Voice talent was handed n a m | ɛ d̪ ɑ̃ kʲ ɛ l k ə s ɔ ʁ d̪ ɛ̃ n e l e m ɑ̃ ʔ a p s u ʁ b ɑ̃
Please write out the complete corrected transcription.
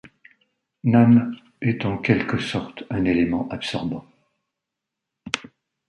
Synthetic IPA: n a m | ɛ t̪ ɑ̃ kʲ ɛ l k ə s ɔ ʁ t̪ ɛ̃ n e l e m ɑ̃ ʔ a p s ɔ ʁ b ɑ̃